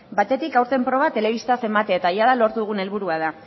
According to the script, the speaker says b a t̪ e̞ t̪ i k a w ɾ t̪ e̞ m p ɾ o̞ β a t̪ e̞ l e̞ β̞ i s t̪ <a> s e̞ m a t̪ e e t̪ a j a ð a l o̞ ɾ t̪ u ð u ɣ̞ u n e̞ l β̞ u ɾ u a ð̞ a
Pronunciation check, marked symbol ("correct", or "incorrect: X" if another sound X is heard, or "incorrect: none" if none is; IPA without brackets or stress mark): correct